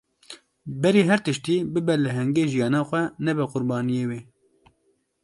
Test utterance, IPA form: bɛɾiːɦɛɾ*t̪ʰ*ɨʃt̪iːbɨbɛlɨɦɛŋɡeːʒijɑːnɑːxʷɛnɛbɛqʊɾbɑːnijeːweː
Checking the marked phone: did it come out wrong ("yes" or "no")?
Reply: yes